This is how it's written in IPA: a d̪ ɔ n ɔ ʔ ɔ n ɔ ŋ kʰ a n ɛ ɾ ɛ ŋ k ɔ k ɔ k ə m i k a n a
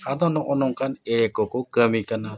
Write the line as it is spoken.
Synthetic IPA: a d̪ ɔ n ɔ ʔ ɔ n ɔ ŋ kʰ a n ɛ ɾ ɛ k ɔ k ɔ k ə m i k a n a